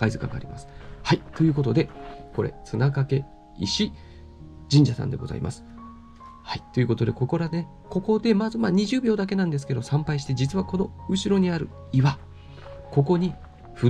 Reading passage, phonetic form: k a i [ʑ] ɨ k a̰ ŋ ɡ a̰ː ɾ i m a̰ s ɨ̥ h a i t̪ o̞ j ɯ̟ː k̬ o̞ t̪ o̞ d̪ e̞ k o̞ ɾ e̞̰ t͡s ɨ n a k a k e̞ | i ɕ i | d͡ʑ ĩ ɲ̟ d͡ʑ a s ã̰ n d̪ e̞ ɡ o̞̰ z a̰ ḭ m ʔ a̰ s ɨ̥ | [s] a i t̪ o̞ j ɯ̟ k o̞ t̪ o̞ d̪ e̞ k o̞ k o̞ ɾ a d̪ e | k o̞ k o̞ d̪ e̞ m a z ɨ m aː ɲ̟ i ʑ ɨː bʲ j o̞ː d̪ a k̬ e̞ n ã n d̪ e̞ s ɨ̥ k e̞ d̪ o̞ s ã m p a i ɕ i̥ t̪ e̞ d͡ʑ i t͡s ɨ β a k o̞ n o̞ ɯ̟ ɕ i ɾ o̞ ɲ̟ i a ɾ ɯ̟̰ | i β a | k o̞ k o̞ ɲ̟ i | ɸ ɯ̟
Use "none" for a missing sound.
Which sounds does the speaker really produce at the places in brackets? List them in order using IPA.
z, h

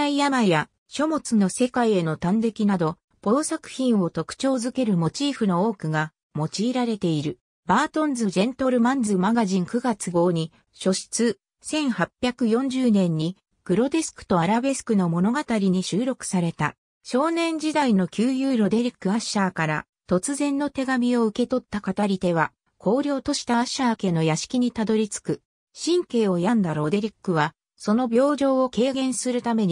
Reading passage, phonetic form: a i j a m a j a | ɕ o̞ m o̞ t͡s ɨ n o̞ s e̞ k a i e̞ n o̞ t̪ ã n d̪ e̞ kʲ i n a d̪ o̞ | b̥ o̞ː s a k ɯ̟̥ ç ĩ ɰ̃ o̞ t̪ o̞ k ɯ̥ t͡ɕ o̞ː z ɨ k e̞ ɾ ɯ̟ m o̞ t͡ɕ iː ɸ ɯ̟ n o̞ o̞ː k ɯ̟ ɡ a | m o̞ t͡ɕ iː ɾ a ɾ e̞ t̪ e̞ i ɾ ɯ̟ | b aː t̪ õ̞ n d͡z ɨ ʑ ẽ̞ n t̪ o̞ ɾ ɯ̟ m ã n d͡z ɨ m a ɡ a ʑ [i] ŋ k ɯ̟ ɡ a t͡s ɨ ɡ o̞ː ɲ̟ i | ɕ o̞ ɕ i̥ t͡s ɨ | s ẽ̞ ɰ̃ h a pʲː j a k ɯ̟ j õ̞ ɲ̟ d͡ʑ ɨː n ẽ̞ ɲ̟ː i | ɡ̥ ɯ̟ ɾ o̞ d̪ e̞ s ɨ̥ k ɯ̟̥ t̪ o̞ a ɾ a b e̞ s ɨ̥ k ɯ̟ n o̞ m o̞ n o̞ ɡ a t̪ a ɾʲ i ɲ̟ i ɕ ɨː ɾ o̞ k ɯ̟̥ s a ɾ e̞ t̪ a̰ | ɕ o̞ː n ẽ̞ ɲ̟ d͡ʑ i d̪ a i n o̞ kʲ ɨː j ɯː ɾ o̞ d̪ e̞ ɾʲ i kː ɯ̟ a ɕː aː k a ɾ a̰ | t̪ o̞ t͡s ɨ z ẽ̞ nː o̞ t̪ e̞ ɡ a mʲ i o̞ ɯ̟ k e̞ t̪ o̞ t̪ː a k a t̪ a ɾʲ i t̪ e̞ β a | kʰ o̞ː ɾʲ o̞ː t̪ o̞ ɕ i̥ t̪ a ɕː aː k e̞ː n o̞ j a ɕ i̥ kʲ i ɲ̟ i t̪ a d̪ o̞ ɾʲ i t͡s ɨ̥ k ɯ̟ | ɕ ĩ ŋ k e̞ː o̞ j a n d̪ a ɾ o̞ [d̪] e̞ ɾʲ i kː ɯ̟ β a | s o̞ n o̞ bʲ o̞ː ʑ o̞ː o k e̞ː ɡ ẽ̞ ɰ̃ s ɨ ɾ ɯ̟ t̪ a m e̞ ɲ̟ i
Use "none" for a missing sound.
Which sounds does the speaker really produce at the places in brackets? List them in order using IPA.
ĩ, d̪

